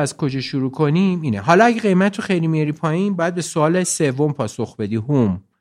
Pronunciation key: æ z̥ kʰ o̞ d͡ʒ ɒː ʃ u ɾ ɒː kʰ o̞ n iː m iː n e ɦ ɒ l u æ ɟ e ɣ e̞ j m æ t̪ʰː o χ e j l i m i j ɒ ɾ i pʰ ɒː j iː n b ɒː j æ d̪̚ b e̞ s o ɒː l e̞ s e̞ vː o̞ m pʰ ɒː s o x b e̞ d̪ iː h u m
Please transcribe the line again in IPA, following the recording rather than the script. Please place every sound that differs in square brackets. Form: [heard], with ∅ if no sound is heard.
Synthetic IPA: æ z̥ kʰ o̞ d͡ʒ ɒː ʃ u ɾ [uː] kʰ o̞ n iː m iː n e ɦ ɒ l [ɒ] æ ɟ e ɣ e̞ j m æ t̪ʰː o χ e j l i m i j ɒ ɾ i pʰ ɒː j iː n b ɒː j æ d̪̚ b e̞ s o ɒː l e̞ s e̞ vː o̞ m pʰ ɒː s o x b e̞ d̪ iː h u m